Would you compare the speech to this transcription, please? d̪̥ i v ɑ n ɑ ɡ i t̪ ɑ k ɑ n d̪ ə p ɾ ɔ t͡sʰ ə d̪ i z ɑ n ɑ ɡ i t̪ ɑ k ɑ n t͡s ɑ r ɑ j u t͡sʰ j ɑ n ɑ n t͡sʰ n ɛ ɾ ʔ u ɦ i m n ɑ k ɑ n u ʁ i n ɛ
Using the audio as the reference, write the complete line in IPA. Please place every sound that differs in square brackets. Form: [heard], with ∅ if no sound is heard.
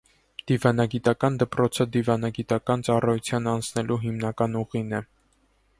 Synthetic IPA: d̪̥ i v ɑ n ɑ ɡ i t̪ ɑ k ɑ n d̪ ə p ɾ ɔ t͡sʰ ə d̪ i [v] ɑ n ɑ ɡ i t̪ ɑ k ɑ n t͡s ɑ r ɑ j u t͡sʰ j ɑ n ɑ n t͡sʰ n ɛ [l] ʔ u ɦ i m n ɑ k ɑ n u ʁ i n ɛ